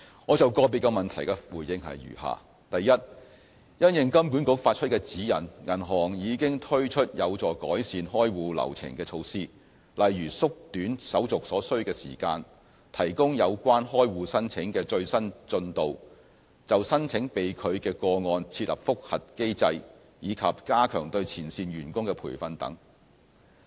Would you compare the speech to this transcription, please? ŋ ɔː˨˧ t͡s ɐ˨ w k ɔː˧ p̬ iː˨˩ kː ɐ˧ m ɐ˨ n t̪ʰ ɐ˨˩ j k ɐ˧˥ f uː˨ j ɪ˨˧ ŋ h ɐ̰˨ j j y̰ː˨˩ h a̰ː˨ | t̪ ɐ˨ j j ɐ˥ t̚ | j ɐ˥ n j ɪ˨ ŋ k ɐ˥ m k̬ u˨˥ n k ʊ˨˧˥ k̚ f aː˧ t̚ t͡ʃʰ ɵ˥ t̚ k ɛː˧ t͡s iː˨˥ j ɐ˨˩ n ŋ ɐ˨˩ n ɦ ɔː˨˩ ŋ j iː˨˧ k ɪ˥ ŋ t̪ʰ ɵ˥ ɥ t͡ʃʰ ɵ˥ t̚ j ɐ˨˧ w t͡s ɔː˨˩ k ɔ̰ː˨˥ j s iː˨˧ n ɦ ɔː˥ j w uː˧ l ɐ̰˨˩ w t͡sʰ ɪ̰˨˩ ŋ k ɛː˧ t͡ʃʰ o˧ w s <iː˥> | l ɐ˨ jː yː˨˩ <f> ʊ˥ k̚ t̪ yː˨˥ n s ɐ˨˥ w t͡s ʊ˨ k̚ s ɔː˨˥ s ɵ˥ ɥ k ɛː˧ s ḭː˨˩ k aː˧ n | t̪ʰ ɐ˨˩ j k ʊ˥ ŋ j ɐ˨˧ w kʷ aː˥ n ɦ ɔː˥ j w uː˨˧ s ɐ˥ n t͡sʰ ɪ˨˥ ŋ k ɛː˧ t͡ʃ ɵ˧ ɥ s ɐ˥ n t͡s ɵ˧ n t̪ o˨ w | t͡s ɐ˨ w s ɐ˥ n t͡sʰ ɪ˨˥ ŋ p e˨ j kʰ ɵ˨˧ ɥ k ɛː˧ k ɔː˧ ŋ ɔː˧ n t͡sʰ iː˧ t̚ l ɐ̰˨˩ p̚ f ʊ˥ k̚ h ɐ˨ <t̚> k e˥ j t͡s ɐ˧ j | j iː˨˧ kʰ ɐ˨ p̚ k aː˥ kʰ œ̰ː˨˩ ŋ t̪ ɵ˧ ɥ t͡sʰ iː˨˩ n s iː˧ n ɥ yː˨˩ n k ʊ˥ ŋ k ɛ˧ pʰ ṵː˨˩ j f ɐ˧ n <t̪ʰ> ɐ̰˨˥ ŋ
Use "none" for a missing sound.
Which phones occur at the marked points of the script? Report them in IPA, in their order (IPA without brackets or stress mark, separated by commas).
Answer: iː˥, s, t̚, t̪